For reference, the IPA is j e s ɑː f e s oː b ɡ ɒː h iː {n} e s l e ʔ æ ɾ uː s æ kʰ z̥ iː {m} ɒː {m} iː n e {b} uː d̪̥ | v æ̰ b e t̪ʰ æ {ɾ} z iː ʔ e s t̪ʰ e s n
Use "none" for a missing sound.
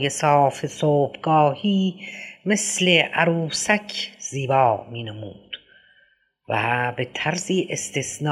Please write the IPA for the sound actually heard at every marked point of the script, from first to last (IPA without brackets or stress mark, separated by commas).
m, b, m, m, ɾ